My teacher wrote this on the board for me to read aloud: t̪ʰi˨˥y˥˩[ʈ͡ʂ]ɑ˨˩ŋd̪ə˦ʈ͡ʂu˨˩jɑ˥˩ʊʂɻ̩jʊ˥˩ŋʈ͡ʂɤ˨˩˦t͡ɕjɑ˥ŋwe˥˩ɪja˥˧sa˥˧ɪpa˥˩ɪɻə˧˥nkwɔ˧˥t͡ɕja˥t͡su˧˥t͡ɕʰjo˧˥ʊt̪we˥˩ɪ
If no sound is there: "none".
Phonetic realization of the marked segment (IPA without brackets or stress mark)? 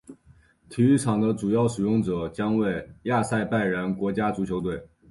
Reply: ʈ͡ʂʰ